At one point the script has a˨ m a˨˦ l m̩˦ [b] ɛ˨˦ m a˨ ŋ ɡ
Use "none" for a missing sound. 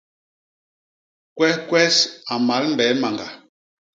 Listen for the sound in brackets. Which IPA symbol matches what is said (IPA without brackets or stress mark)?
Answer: b